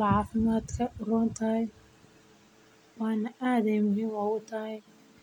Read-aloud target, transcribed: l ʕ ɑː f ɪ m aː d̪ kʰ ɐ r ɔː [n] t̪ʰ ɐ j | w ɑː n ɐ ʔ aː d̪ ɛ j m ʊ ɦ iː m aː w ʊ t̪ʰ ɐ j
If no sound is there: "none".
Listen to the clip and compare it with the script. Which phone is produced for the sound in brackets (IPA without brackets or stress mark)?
n